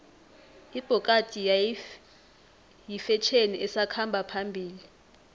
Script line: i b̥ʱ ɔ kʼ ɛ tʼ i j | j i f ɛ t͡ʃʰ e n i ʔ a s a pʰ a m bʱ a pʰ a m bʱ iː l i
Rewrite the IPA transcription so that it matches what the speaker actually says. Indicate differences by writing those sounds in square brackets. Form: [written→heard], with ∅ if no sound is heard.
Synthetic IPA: i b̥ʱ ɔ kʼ [ɛ→a] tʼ i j | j i f ɛ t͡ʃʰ e n i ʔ [a→ɛ] s a [pʰ→kʰ] a m bʱ a pʰ a m bʱ iː l i